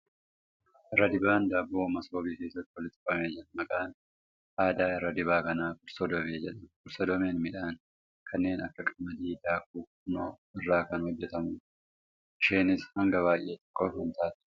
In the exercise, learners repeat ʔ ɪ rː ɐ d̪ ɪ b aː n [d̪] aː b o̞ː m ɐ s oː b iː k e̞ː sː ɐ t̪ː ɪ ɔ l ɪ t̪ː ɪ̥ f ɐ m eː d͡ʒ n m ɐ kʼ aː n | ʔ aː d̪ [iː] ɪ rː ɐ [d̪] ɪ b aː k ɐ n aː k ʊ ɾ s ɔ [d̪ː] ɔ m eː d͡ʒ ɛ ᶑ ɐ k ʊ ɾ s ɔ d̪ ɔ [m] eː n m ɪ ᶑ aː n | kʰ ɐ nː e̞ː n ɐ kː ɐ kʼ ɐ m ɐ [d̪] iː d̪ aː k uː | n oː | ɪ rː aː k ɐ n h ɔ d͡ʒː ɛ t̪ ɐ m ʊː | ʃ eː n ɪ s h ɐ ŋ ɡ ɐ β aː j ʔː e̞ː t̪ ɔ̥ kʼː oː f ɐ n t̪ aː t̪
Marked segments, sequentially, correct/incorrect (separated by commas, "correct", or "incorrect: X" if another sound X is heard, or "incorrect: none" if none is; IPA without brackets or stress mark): correct, incorrect: aː, correct, incorrect: d̪, correct, correct